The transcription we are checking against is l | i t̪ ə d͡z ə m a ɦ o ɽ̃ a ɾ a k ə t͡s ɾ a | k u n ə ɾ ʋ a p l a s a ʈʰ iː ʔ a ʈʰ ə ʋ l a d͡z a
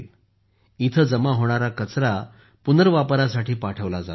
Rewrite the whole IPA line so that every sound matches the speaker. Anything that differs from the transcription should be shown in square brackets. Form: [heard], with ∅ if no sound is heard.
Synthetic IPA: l | i [t̪ʰ] ə d͡z ə m a ɦ o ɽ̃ a ɾ a k ə t͡s ɾ a | [p] u n ə ɾ ʋ a p [ɾ] a s a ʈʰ iː [p] a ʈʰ ə ʋ l a d͡z a